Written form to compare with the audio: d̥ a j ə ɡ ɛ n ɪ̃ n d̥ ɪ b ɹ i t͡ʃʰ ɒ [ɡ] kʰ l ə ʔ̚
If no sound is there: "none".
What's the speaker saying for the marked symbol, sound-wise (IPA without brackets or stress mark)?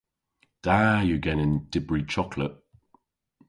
none